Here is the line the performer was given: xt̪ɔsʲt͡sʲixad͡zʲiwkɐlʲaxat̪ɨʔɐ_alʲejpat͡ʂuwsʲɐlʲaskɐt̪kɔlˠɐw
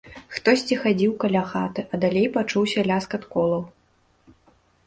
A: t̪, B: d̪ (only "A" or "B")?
B